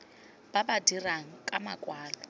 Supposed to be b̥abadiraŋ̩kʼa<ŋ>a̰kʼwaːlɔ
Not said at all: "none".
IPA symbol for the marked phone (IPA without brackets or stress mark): m